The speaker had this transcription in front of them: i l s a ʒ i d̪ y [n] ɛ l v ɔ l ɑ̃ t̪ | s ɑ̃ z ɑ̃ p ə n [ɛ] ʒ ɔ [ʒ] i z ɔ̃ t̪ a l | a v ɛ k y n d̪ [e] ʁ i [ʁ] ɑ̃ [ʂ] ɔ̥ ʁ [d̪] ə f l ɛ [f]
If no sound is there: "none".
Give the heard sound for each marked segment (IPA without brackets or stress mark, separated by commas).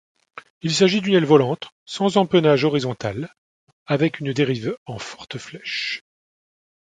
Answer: n, a, ʁ, e, v, f, t̪, ʃ